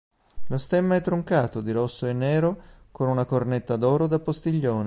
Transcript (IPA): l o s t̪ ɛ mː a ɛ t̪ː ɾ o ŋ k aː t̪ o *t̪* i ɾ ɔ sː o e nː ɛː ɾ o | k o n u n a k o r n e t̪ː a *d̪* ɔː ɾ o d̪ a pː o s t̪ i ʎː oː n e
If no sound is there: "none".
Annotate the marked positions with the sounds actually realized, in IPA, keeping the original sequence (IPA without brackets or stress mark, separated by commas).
d̪, d̪